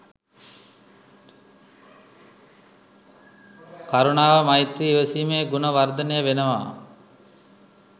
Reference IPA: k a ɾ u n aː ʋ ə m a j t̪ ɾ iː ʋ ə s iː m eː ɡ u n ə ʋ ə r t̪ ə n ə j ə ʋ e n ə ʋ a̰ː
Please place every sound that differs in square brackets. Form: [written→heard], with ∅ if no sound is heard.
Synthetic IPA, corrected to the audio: k a ɾ u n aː ʋ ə m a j t̪ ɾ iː ʋ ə s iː m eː ɡ u n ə ʋ [ə→a] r [t̪→d̪] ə n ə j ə ʋ e n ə ʋ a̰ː